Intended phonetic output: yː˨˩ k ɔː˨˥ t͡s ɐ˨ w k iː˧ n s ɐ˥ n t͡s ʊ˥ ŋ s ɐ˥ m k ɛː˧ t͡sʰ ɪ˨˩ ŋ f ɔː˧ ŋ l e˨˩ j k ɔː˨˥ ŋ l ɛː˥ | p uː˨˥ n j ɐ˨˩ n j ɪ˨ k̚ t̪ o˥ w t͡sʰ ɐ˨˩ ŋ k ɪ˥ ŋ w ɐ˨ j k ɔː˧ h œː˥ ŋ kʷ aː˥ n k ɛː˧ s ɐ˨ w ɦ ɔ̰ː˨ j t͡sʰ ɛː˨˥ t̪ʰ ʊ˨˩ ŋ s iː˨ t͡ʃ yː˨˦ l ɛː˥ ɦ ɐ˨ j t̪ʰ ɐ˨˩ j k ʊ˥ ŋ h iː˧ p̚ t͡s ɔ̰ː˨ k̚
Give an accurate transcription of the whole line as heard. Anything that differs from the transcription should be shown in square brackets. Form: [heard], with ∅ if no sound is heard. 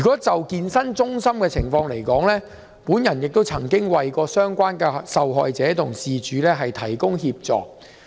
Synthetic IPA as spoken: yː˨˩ k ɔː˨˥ t͡s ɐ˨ w k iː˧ n s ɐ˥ n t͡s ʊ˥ ŋ s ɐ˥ m k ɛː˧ t͡sʰ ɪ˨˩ ŋ f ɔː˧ ŋ l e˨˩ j k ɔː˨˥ ŋ l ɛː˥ | p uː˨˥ n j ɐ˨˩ n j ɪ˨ k̚ t̪ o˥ w t͡sʰ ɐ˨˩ ŋ k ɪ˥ ŋ w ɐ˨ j k ɔː˧ [s] œː˥ ŋ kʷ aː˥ n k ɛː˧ s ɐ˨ w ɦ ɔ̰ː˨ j [t͡s] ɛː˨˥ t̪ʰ ʊ˨˩ ŋ s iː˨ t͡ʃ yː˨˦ l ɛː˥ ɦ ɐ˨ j t̪ʰ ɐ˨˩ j k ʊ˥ ŋ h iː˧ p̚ t͡s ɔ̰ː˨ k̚